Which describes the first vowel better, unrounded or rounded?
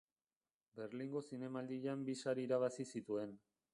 unrounded